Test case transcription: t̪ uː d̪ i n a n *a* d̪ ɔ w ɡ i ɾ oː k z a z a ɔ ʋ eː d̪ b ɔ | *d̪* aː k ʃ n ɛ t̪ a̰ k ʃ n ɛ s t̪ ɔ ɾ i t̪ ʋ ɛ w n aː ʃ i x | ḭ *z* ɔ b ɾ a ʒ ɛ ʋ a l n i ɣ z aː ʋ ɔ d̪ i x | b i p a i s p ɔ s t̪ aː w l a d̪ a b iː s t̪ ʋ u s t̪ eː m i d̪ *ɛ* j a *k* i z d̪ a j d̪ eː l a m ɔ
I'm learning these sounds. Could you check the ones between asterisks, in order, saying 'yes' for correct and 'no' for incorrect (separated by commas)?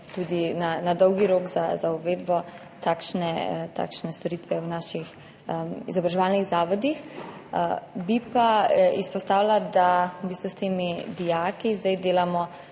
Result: yes, no, yes, no, yes